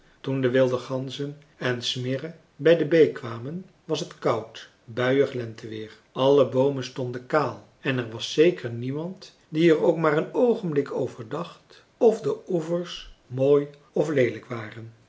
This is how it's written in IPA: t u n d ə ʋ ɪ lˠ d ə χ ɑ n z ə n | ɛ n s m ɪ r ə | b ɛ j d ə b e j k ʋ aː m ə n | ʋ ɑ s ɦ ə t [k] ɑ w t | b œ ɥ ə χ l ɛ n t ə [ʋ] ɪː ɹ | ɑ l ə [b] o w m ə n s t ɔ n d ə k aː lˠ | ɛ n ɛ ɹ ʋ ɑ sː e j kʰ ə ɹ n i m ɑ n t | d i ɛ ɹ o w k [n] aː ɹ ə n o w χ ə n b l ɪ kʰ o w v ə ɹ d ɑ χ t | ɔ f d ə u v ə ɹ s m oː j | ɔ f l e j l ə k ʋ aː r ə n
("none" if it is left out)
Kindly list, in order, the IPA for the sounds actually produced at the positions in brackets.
k, ʋ, b, m

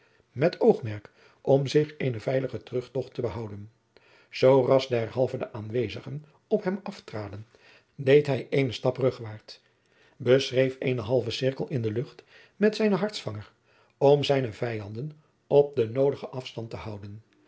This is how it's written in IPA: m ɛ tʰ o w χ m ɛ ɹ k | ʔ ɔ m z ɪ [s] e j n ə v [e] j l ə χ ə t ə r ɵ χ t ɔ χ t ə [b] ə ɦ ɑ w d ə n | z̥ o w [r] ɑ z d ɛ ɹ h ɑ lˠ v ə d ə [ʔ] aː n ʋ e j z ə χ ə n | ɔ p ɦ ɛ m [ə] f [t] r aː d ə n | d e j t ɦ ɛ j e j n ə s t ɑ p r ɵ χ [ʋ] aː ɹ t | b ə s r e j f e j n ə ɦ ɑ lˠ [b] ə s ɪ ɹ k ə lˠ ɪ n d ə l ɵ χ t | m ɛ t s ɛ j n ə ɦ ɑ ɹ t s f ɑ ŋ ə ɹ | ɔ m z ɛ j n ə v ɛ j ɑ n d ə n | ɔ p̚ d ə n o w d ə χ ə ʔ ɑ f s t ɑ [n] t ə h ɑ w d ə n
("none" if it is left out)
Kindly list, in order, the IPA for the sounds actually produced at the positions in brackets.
χ, ɛ, b, r, ʔ, ɑ, t, ʋ, v, n

